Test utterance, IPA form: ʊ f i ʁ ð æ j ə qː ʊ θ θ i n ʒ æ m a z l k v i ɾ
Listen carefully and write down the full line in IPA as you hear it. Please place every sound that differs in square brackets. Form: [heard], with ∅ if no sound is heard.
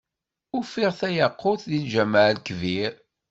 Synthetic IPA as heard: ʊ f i ʁ [θ] æ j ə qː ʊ θ [ð] i n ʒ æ m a [ʕ] l k v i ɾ